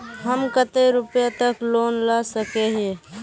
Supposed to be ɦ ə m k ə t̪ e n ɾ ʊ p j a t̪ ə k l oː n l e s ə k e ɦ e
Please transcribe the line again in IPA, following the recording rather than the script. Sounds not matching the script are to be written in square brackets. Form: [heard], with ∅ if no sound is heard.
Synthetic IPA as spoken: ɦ ə m k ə t̪ e [∅] ɾ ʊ p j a t̪ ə k l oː n l [a] s ə k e ɦ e